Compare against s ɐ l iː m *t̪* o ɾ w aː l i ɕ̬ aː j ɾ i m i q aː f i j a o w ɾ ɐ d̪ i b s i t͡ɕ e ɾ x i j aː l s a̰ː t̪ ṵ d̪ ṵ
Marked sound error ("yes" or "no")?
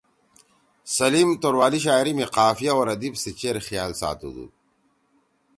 no